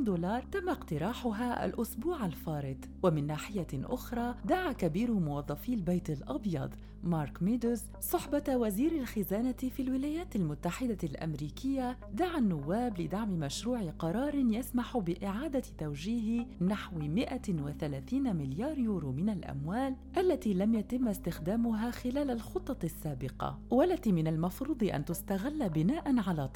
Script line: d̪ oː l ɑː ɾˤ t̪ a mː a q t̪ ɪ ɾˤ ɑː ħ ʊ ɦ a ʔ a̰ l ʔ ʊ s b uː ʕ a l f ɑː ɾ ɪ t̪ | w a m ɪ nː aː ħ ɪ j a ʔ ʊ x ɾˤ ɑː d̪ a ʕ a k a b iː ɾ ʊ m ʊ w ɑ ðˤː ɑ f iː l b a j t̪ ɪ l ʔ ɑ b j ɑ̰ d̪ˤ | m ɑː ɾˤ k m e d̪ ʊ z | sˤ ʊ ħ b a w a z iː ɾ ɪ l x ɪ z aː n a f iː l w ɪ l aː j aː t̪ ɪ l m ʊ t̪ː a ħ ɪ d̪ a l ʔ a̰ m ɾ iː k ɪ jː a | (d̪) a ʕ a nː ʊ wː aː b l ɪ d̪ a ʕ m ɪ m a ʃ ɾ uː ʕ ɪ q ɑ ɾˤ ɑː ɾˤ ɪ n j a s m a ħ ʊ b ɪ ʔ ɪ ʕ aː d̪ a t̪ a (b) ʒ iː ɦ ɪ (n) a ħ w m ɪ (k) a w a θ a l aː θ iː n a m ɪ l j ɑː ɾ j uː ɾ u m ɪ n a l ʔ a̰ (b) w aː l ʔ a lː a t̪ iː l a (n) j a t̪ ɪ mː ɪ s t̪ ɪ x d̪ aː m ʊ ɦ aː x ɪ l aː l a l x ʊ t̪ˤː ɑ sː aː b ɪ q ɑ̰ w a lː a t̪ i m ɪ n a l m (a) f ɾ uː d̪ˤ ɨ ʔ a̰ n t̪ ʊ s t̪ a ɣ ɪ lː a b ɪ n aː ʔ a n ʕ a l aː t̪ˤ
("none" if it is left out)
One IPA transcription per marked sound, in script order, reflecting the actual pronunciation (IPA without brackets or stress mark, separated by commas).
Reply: d̪, w, n, ʔ, m, m, ɑ